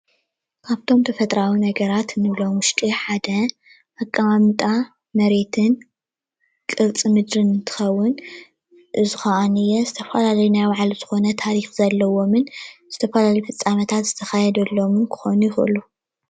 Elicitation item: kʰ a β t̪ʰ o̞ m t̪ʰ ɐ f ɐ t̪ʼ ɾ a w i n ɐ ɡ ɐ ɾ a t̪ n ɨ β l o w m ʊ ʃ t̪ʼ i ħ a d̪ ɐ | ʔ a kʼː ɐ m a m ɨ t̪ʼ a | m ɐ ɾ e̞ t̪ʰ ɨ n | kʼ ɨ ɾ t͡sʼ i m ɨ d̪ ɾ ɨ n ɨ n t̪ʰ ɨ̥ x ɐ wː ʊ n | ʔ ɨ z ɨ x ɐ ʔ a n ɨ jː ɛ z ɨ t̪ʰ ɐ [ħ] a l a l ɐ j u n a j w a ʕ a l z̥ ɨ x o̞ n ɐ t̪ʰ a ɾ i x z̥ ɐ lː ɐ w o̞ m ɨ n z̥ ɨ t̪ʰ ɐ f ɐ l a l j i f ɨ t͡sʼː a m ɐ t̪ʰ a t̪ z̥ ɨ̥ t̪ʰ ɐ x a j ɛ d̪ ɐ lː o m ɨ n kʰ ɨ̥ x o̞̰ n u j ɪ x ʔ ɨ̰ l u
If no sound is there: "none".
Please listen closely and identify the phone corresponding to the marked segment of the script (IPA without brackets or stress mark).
f